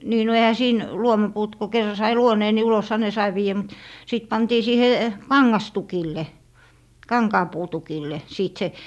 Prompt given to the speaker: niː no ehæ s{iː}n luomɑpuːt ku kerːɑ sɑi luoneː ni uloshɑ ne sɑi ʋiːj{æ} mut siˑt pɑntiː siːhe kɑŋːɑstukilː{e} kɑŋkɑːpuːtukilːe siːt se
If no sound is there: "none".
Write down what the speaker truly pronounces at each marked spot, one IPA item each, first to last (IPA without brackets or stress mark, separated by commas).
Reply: iː, æ, e